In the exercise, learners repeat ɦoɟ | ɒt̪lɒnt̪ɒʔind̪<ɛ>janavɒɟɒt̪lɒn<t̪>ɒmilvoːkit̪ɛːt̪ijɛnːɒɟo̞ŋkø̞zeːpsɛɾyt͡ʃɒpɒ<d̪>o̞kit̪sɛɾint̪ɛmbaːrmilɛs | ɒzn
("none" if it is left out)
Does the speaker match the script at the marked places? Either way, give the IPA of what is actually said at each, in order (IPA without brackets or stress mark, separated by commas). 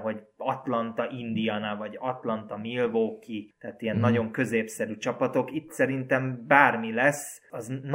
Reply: i, t̪, t̪